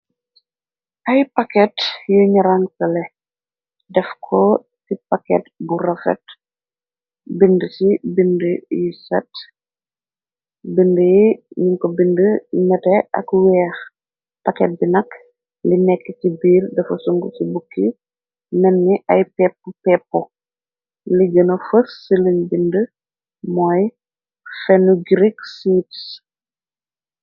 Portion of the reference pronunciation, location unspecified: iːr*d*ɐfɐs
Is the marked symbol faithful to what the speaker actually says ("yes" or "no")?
yes